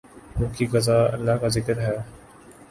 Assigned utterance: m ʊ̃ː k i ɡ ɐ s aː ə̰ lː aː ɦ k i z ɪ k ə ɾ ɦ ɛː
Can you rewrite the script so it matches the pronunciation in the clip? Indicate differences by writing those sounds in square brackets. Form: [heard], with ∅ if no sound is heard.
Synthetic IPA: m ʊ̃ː k i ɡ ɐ [z] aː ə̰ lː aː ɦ k [a] z ɪ k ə ɾ ɦ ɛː